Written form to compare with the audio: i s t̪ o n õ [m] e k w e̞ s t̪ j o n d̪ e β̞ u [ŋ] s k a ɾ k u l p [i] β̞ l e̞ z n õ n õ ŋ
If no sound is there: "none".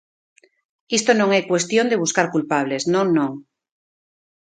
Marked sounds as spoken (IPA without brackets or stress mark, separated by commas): ŋ, none, a